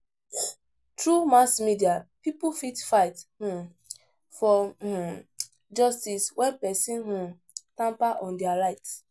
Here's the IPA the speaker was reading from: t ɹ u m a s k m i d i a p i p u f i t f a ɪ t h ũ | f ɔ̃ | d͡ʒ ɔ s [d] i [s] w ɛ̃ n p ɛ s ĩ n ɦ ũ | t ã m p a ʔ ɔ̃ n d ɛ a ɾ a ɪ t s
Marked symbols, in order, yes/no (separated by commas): no, yes